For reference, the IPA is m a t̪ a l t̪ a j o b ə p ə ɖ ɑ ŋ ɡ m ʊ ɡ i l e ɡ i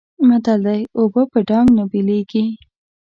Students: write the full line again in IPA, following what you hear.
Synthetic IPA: m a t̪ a l d̪ a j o b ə p ə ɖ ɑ ŋ ɡ n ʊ b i l e ɡ i